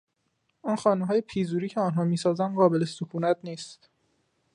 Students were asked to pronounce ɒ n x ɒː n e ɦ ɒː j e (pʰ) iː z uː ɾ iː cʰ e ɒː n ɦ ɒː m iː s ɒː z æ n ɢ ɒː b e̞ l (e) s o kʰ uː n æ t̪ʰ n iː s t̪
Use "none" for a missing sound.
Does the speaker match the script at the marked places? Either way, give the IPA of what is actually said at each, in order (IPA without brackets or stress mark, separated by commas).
pʰ, e